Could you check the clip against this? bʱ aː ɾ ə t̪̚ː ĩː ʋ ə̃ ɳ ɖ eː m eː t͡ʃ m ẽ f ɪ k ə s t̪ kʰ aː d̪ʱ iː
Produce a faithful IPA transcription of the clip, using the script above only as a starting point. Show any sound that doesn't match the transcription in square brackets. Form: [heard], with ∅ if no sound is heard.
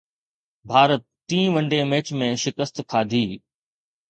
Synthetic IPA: bʱ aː ɾ ə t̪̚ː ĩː ʋ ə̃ ɳ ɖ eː m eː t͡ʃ m ẽ [ʃ] ɪ k ə s t̪ kʰ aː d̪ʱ iː

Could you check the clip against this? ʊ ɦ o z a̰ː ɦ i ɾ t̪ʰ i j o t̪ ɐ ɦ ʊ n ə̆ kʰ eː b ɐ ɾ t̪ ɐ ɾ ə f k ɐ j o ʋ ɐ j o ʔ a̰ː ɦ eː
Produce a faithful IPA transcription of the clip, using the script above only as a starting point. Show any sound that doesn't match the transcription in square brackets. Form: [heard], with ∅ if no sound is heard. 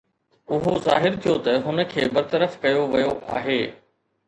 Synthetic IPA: ʊ ɦ o z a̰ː ɦ [ɪ] ɾ t̪ʰ i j o t̪ ɐ ɦ ʊ n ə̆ kʰ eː b ɐ ɾ t̪ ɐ ɾ ə f k ɐ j o ʋ ɐ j o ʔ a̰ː ɦ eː

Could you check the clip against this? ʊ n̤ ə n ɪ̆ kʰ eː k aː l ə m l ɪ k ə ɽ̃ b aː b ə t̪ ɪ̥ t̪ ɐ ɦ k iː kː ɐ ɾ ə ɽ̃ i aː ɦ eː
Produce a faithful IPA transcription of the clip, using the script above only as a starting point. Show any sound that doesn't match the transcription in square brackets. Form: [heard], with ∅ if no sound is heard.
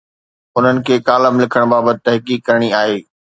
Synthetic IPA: ʊ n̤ ə n ɪ̆ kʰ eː k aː l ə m l ɪ [kʰ] ə ɽ̃ b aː b ə t̪ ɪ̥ t̪ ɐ ɦ k iː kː ɐ ɾ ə ɽ̃ i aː ɦ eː

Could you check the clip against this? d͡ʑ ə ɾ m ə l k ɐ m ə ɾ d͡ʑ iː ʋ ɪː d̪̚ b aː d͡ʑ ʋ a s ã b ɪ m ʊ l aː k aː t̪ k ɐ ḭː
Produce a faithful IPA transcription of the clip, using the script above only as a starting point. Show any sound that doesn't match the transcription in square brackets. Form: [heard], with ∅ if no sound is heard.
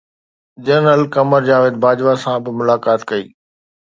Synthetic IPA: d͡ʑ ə ɾ [n] ə l k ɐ m ə ɾ d͡ʑ [aː] ʋ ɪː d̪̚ b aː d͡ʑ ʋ a s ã b ɪ m ʊ l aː k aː t̪ k ɐ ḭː

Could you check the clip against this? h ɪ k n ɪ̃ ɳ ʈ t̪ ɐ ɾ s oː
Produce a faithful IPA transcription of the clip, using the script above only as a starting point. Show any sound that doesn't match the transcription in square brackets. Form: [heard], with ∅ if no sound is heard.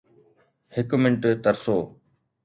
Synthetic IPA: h ɪ k [m] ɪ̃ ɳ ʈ t̪ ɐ ɾ s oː

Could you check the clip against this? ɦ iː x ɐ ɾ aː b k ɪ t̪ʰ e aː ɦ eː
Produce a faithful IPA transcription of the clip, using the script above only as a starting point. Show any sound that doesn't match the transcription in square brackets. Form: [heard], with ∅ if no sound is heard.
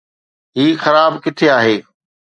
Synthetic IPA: ɦ iː x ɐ ɾ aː b k ɪ t̪ʰ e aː ɦ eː

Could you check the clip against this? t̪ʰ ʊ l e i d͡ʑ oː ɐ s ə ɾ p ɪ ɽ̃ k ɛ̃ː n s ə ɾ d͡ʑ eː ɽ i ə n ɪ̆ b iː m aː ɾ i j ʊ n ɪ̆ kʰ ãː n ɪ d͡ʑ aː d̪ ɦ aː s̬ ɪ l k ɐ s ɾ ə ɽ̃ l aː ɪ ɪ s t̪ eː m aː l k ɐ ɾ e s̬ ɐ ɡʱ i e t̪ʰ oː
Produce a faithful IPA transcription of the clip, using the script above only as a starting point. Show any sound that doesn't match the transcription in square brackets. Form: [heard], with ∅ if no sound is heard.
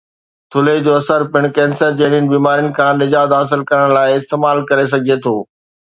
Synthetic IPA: t̪ʰ ʊ l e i d͡ʑ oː ɐ s ə ɾ p ɪ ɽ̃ k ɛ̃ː n s ə ɾ d͡ʑ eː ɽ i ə n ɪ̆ b iː m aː ɾ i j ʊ n ɪ̆ kʰ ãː n ɪ d͡ʑ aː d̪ ɦ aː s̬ ɪ l k ɐ [∅] ɾ ə ɽ̃ l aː ɪ ɪ s t̪ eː m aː l k ɐ ɾ e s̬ ɐ ɡʱ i e t̪ʰ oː

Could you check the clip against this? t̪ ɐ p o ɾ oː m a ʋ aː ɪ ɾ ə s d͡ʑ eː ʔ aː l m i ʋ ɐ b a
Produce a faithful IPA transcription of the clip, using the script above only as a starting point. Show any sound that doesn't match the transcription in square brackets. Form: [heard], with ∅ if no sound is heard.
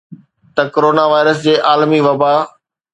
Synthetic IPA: t̪ ɐ [k] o ɾ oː [n] a ʋ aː ɪ ɾ ə s d͡ʑ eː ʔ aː l m i ʋ ɐ b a

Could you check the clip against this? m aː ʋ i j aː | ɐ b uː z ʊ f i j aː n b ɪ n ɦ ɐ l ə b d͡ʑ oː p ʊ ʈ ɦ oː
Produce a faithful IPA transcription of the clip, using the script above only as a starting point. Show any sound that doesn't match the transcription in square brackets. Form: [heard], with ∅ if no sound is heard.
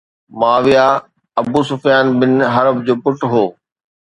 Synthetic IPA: m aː ʋ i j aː | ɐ b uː [s] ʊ f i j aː n b ɪ n ɦ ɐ [ɾ] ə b d͡ʑ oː p ʊ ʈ ɦ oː

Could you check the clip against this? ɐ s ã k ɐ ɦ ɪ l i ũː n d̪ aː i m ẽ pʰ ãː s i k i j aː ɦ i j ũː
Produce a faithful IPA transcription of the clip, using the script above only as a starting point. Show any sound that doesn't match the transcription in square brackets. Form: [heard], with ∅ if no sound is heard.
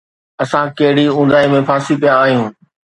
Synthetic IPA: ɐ s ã k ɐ ɦ ɪ [ɽ] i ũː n d̪ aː i m ẽ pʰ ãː s i [p] i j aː ɦ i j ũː

